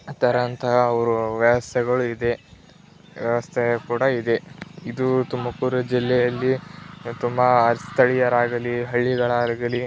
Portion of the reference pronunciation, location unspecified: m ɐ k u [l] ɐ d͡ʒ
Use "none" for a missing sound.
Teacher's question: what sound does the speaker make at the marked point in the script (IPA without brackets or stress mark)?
ɾ